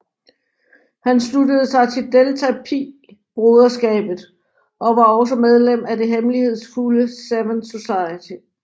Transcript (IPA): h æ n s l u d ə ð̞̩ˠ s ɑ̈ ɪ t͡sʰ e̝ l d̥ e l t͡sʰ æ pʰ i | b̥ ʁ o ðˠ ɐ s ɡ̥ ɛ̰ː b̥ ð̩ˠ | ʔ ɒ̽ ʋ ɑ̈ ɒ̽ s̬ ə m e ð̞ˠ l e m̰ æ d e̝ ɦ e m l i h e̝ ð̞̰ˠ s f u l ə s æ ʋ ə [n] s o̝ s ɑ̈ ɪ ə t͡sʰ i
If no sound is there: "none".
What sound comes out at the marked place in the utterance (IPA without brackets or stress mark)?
n